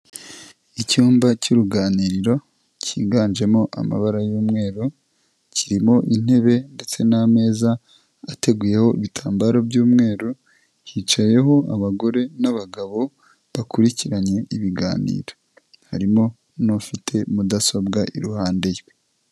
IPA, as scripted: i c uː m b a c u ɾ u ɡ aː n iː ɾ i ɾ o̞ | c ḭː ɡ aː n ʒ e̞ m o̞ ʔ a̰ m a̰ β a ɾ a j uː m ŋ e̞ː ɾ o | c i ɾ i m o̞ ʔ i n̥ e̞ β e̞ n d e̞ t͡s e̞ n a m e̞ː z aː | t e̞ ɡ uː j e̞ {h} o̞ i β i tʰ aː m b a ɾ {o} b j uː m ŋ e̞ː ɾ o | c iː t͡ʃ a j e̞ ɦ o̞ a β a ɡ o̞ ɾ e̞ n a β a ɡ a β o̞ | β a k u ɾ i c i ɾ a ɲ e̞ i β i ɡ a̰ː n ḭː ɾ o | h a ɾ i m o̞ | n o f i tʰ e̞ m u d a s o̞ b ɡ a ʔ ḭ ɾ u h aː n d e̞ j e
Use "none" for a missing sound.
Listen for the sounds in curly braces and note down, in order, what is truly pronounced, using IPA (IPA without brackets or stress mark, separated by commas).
h, o